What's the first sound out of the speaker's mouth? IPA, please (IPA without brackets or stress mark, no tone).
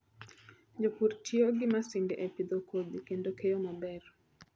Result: d͡ʒ